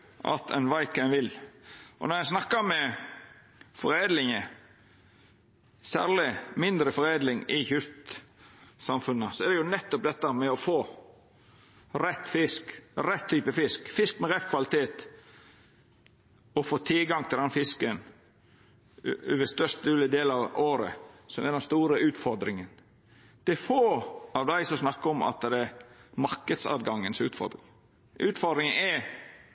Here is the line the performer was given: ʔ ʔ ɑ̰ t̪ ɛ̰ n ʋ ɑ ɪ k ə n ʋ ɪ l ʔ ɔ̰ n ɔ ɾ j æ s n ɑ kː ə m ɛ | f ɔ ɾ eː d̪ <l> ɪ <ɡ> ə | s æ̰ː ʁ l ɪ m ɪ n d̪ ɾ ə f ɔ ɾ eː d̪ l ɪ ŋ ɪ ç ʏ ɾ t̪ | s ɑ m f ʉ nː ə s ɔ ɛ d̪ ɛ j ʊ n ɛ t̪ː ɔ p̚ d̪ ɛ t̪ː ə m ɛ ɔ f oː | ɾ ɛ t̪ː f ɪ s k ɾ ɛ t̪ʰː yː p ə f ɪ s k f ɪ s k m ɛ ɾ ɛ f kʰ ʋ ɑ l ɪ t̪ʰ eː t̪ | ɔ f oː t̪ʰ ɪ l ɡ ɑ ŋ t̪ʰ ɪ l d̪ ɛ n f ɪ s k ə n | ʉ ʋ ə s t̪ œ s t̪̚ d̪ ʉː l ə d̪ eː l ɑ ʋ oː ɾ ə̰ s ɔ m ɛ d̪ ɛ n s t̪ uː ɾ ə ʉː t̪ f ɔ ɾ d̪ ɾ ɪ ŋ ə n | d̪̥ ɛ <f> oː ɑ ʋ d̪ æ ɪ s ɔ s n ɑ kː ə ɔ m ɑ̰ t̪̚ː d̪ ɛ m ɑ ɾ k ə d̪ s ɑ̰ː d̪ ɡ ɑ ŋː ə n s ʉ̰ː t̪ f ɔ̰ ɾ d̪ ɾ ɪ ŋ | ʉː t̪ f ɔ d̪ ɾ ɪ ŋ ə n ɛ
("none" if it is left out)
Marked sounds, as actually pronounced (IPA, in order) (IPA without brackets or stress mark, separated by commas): l, ŋ, f